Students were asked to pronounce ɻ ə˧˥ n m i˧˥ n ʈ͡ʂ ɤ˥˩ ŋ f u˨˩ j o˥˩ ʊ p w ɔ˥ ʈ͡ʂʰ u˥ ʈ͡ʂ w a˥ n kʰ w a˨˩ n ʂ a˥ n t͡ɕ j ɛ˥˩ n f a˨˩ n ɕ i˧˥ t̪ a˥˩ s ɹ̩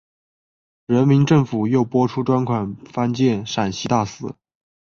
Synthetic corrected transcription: ɻ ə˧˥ n m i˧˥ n ʈ͡ʂ ɤ˥˩ ŋ f u˨˩ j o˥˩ ʊ p w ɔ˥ ʈ͡ʂʰ u˥ ʈ͡ʂ w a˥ n kʰ w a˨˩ n f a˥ n t͡ɕ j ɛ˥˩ n ʂ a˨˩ n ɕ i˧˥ t̪ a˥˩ s ɹ̩

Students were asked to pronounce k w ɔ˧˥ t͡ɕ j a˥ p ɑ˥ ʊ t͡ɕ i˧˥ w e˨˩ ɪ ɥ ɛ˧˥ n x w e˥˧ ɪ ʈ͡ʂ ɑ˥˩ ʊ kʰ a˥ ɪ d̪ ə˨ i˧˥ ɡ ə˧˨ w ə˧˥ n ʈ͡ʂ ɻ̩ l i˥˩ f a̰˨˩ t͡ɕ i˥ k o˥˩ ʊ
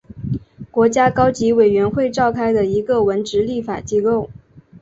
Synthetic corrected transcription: k w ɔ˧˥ t͡ɕ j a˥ k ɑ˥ ʊ t͡ɕ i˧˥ w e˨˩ ɪ ɥ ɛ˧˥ n x w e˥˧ ɪ ʈ͡ʂ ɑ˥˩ ʊ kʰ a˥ ɪ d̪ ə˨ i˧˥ ɡ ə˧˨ w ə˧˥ n ʈ͡ʂ ɻ̩ l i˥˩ f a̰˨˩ t͡ɕ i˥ k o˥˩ ʊ

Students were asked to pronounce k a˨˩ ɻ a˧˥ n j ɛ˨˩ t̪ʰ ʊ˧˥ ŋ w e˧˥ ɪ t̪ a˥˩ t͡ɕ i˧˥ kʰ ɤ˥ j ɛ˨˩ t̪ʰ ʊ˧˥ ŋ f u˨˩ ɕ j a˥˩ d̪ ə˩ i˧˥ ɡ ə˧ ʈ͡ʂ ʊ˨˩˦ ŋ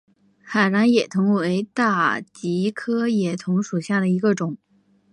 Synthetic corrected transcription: x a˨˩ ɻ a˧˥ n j ɛ˨˩ t̪ʰ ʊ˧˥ ŋ w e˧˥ ɪ t̪ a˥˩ t͡ɕ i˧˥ kʰ ɤ˥ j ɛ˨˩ t̪ʰ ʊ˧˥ ŋ ʂ u˨˩ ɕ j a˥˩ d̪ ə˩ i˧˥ ɡ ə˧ ʈ͡ʂ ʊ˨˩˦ ŋ

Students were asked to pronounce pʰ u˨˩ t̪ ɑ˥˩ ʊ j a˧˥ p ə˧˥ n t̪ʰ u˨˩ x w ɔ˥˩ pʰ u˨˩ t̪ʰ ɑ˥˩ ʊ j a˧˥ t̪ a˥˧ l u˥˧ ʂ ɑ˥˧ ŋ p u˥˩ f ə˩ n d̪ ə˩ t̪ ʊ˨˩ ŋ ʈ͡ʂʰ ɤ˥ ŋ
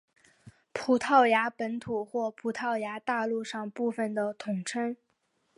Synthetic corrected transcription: pʰ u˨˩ t̪ʰ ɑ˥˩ ʊ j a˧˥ p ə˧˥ n t̪ʰ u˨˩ x w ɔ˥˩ pʰ u˨˩ t̪ʰ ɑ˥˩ ʊ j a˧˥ t̪ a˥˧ l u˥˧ ʂ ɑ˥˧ ŋ p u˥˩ f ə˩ n d̪ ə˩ t̪ʰ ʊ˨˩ ŋ ʈ͡ʂʰ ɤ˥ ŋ

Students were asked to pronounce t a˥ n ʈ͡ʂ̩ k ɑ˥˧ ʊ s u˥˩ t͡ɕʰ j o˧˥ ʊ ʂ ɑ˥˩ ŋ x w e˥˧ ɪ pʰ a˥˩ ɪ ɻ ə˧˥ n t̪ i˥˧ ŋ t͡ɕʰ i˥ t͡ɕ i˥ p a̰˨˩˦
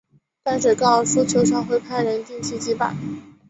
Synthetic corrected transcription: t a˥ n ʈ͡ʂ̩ k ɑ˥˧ ʊ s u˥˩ t͡ɕʰ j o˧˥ ʊ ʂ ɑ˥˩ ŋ x w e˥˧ ɪ pʰ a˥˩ ɪ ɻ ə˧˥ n t̪ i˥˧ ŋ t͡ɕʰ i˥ t͡ɕ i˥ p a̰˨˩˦

